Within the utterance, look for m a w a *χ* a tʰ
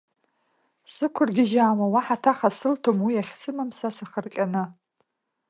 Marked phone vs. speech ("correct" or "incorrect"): incorrect